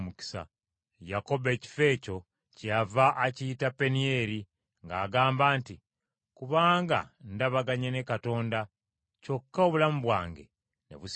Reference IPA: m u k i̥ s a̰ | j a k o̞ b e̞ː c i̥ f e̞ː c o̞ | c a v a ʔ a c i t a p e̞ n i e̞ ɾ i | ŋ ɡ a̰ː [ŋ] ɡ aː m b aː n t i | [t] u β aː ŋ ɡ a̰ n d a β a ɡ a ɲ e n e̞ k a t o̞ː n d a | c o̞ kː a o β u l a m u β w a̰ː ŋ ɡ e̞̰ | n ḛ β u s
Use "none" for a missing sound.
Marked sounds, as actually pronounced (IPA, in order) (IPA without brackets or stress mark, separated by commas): none, k